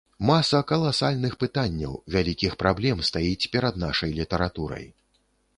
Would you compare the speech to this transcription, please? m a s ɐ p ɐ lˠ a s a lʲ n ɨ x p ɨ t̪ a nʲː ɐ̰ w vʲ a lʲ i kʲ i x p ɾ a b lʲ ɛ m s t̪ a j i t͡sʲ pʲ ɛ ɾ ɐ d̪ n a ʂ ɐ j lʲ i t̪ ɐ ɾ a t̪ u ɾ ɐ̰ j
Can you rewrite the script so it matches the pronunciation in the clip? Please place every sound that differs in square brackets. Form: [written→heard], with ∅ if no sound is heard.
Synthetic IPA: m a s ɐ [p→k] ɐ lˠ a s a lʲ n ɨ x p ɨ t̪ a nʲː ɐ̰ w vʲ a lʲ i kʲ i x p ɾ a b lʲ ɛ m s t̪ a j i t͡sʲ pʲ ɛ ɾ ɐ d̪ n a ʂ ɐ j lʲ i t̪ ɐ ɾ a t̪ u ɾ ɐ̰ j